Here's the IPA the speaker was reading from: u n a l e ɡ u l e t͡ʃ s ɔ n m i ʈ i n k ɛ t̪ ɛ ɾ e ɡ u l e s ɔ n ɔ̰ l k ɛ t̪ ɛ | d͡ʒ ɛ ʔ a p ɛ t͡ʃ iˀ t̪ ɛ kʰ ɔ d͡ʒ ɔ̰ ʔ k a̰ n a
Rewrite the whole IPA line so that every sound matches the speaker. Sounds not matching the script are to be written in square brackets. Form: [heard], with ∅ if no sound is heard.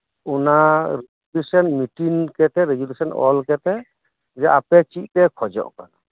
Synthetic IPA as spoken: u n a [ɾ] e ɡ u l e [∅] s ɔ n m i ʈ i n k ɛ t̪ ɛ ɾ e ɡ u l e s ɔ n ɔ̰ l k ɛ t̪ ɛ | d͡ʒ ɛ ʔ a p ɛ t͡ʃ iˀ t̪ ɛ kʰ ɔ d͡ʒ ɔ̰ ʔ k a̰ n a